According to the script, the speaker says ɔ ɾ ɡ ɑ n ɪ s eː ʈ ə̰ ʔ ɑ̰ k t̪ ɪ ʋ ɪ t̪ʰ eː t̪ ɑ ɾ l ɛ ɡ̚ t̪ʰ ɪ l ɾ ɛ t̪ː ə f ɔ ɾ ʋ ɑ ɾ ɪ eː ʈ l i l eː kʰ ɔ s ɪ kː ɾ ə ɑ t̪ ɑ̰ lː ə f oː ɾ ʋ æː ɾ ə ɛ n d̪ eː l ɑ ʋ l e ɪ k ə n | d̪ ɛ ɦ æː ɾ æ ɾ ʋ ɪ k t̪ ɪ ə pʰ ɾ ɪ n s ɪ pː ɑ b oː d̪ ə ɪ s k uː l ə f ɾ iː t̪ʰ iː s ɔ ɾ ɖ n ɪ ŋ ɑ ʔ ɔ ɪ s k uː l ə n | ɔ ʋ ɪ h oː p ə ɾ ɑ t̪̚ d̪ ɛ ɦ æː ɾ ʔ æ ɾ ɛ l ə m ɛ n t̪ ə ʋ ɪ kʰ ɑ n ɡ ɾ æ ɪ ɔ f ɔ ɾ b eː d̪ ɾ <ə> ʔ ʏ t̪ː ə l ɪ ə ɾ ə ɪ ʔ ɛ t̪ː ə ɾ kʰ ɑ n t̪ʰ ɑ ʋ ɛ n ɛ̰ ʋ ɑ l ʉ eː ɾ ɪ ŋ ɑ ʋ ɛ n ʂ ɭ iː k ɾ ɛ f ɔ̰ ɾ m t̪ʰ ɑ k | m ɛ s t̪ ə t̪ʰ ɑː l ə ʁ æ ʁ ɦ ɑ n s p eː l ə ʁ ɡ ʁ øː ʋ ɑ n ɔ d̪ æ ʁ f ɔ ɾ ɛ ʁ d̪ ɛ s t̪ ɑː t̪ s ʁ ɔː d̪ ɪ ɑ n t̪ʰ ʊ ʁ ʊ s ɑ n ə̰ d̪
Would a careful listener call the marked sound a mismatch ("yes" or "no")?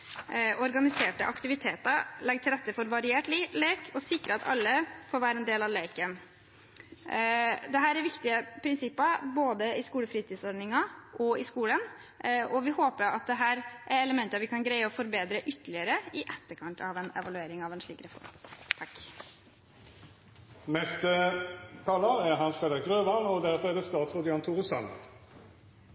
no